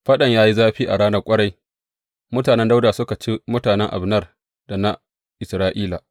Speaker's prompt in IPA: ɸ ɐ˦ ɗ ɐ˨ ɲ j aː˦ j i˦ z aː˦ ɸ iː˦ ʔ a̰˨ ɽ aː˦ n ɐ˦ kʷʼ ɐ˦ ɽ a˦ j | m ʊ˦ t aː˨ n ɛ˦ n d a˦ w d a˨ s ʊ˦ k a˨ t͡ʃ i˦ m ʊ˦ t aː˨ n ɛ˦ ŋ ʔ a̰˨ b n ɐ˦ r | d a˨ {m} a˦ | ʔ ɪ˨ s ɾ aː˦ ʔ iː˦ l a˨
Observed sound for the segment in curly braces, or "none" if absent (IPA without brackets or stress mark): n